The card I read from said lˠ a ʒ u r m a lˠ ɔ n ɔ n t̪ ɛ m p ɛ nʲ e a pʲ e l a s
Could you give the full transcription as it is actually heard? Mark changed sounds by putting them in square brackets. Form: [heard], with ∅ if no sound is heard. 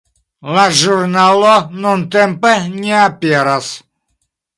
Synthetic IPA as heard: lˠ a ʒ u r [n] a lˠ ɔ n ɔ n t̪ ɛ m p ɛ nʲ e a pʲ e [ɾ] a s